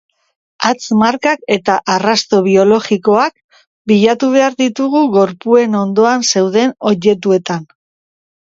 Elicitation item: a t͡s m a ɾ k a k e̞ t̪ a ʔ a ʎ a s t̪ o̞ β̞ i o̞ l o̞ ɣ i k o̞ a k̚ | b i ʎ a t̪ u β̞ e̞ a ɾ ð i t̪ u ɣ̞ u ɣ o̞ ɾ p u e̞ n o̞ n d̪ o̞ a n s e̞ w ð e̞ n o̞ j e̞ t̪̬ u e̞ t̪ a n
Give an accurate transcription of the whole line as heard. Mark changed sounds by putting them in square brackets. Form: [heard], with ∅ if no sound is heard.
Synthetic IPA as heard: a t͡s m a ɾ k a k e̞ t̪ a ʔ a [r] a s t̪ o̞ β̞ i o̞ l o̞ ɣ i k o̞ a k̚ | b i ʎ a t̪ u β̞ e̞ a ɾ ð i t̪ u ɣ̞ u ɣ o̞ ɾ p u e̞ n o̞ n d̪ o̞ a n s e̞ w ð e̞ n o̞ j e̞ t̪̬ u e̞ t̪ a n